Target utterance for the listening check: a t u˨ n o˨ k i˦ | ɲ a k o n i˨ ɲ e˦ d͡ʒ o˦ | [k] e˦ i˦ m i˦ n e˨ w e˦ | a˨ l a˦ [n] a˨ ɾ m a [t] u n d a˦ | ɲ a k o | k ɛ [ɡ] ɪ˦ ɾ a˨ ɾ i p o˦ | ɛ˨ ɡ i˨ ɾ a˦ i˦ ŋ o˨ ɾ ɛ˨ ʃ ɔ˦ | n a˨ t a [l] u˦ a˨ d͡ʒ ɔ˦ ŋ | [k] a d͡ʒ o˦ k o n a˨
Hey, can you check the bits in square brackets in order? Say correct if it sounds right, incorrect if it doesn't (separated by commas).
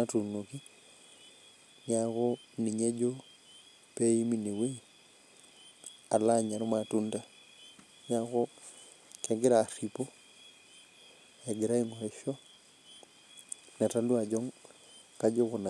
incorrect, incorrect, correct, correct, correct, correct